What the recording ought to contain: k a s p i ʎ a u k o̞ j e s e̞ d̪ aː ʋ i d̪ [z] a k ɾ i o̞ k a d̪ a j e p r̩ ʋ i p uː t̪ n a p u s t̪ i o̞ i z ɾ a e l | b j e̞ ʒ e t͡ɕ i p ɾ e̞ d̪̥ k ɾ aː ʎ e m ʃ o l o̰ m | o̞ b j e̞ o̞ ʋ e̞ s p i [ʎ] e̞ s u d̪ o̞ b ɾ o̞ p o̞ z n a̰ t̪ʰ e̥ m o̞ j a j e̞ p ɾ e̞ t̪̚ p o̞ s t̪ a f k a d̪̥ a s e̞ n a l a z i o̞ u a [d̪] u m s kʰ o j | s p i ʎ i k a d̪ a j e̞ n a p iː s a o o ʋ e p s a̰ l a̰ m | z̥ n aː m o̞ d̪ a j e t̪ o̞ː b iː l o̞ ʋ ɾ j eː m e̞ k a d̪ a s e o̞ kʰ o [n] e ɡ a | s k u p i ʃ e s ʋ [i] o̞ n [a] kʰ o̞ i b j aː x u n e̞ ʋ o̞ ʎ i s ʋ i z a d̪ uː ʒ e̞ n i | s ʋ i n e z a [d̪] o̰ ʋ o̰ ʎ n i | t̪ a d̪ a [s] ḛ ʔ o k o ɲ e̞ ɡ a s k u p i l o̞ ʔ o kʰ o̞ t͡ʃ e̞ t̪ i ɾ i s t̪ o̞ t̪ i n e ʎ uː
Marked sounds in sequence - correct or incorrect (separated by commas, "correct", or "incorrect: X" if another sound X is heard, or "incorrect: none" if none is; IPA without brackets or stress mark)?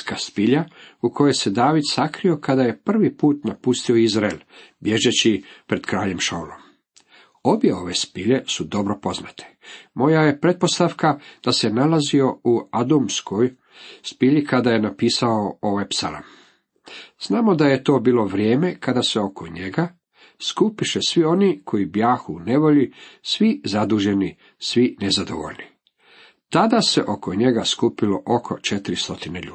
incorrect: s, correct, correct, incorrect: ɲ, correct, incorrect: i, correct, correct